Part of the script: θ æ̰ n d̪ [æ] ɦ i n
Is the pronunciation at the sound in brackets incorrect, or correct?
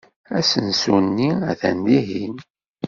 incorrect: i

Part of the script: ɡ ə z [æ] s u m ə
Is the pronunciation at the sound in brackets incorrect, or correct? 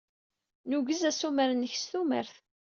correct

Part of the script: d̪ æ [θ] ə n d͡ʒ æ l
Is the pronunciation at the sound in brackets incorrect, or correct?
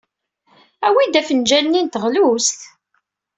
incorrect: f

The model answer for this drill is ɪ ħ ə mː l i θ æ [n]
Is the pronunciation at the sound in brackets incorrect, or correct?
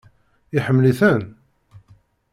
correct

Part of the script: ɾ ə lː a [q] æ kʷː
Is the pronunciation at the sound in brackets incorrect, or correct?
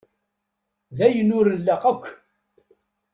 correct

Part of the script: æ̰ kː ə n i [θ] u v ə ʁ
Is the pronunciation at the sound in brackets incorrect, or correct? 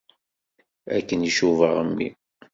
incorrect: ʃ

